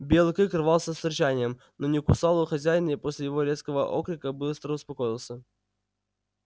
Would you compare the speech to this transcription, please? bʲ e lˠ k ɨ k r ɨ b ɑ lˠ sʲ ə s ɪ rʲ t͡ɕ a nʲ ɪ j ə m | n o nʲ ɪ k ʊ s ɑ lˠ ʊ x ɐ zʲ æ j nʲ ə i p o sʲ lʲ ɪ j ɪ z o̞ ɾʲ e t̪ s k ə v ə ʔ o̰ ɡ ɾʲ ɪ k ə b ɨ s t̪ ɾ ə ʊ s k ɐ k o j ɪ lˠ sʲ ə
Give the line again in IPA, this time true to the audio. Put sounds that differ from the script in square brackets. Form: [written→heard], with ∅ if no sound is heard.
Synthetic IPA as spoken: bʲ e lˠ k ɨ k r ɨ [b→v] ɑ lˠ sʲ ə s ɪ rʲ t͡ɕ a nʲ ɪ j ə m | n o nʲ ɪ k ʊ s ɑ lˠ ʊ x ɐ zʲ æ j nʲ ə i p o sʲ lʲ ɪ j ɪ [z→v] o̞ ɾʲ e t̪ s k ə v ə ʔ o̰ [ɡ→k] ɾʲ ɪ k ə b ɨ s t̪ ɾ ə ʊ s [k→p] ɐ k o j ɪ lˠ sʲ ə